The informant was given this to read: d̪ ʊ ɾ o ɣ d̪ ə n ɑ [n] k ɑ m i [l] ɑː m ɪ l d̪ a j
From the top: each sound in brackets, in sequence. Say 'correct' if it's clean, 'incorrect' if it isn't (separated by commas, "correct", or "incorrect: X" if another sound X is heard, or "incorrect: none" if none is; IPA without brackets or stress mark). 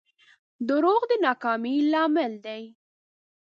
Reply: incorrect: none, correct